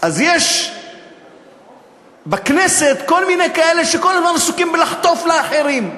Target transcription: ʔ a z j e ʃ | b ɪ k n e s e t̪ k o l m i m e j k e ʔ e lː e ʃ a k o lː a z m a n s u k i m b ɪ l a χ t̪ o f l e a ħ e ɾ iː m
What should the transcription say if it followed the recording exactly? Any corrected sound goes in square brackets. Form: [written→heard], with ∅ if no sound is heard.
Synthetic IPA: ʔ a z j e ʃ | b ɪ k n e s e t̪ k o l m i [m→n] e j k [e→a] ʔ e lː e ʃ [a→e] k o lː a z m a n s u k i m b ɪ l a [χ→ħ] t̪ o f l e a ħ e ɾ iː m